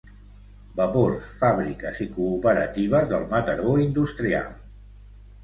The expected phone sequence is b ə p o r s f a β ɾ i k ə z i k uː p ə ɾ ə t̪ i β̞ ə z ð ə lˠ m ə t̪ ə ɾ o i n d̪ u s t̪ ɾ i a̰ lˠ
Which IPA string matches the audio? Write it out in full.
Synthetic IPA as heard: b ə p o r s f a β ɾ i k ə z i k uː p ə ɾ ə t̪ i β̞ ə z ð ə lˠ m ə t̪ ə ɾ o i n d̪ u s t̪ ɾ i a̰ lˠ

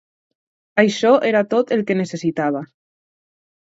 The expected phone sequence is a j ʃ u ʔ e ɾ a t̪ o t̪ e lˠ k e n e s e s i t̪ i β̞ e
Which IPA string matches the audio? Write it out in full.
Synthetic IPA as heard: a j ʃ ɔ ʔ e ɾ a t̪ o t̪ e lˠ k e n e s e s i t̪ a β̞ a

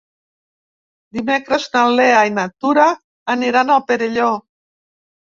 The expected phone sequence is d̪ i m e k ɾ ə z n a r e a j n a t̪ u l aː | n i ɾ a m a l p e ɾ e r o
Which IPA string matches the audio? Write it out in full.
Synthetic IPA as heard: d̪ i m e k ɾ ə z n a l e a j n a t̪ u ɾ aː | n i ɾ a n a l p e ɾ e ʎ o

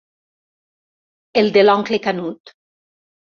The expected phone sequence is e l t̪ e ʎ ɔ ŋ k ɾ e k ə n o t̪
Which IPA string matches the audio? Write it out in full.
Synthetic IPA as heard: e l d̪ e l ɔ ŋ k l e k a n u t̪

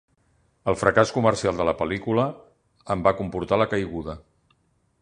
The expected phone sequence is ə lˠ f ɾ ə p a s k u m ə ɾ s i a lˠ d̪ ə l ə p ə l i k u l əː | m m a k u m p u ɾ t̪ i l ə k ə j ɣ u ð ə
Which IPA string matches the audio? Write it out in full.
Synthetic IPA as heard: ə lˠ f ɾ ə k a s k u m ə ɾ s i a lˠ d̪ ə l ə p ə l i k u l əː | m b a k u m p u ɾ t̪ a l ə k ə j ɣ u ð ə

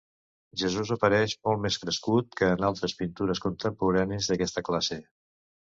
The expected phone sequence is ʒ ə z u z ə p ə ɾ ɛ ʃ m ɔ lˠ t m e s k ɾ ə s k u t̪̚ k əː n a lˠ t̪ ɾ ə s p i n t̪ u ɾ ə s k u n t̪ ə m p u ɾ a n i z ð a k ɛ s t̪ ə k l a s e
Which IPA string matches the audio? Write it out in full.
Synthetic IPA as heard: ʒ ə z u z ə p ə ɾ ɛ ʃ m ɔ lˠ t m e s k ɾ ə s k u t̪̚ k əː n a lˠ t̪ ɾ ə s p i n t̪ u ɾ ə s k u n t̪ ə m p u ɾ a n i z ð ə k ɛ s t̪ ə k l a s e

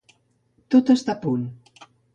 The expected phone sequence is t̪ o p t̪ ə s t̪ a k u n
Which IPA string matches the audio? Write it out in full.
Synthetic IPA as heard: t̪ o t̪ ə s t̪ a p u n

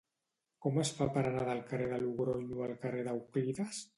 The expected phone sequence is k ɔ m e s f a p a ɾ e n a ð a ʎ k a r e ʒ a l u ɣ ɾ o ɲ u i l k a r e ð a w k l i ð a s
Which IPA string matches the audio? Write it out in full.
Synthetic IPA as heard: k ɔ m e s f a p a ɾ a n a ð a l k a r e ð a l u ɣ ɾ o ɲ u a l k a r e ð a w k l i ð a s

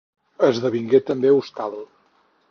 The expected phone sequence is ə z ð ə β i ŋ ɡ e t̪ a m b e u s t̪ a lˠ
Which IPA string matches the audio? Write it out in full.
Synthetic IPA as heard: ə z ð ə β i ŋ ɡ e t̪ ə m b e u s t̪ a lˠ

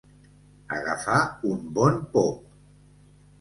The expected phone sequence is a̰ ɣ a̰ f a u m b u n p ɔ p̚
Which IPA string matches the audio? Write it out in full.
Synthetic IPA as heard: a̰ ɣ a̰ f a u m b ɔ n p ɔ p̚

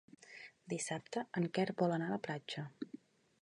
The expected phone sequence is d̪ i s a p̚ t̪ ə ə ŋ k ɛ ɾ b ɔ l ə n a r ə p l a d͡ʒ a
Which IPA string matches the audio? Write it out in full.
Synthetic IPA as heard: d̪ i s a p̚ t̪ ə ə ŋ k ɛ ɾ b ɔ l ə n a l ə p l a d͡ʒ ə

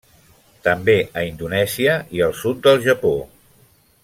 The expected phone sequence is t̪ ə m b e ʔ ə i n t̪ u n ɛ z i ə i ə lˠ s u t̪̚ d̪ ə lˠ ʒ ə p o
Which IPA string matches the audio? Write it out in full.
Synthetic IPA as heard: t̪ ə m b e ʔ ə i n d̪ u n ɛ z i ə i ə lˠ s u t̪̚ d̪ ə lˠ ʒ ə p o

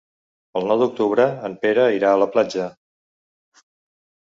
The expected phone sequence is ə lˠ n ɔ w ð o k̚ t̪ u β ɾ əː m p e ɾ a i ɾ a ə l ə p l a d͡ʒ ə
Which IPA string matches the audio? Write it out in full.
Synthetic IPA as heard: ə lˠ n ɔ w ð u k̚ t̪ u β ɾ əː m p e ɾ ə i ɾ a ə l ə p l a d͡ʒ ə

